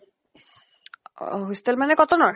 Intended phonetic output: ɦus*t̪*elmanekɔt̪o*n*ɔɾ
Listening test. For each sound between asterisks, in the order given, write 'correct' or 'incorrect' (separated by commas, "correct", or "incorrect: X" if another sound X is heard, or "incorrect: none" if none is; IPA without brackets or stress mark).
correct, correct